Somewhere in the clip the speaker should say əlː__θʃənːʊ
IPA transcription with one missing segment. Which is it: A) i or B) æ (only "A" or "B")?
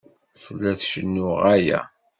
B